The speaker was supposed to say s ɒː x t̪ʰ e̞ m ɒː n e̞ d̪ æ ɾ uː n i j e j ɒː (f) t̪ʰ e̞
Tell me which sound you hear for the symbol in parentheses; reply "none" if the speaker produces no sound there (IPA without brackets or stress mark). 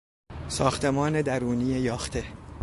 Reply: x